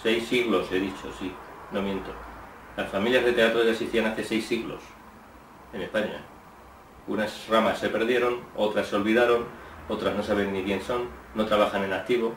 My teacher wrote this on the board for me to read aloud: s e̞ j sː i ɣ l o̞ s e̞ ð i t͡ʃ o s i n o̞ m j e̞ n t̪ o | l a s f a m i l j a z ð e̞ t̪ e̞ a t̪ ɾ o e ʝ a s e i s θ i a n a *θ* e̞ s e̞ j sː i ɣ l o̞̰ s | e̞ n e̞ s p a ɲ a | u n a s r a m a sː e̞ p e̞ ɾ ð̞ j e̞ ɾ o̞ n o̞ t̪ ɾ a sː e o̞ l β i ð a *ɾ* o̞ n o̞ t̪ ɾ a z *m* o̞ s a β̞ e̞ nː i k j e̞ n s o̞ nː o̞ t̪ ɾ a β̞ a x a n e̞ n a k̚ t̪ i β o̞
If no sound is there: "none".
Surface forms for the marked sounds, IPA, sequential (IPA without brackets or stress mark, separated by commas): θ, ɾ, n